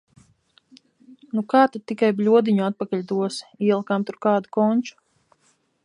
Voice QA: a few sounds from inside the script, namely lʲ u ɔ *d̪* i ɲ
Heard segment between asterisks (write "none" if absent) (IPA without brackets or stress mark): d̪